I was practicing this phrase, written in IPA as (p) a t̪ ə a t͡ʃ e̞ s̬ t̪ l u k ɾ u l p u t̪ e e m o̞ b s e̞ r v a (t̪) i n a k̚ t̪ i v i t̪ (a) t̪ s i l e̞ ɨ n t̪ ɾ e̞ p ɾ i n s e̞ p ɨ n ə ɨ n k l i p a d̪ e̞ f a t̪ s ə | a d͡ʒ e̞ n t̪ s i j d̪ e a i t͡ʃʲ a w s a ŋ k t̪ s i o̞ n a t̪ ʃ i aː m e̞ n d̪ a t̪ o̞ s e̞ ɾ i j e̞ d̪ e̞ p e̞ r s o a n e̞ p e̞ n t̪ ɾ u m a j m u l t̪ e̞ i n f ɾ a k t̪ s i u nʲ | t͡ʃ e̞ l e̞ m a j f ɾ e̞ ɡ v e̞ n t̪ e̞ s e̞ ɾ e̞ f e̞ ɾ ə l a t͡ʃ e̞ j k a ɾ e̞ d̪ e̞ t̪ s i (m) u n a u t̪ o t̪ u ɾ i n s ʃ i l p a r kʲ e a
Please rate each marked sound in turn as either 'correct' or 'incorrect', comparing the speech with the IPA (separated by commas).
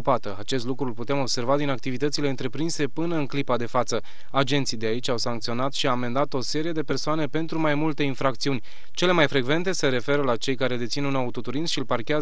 correct, incorrect, incorrect, incorrect